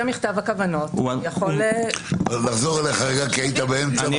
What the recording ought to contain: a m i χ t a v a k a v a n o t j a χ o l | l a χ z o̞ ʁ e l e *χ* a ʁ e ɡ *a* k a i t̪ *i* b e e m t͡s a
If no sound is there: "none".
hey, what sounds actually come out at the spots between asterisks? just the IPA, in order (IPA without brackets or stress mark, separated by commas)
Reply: χ, a, a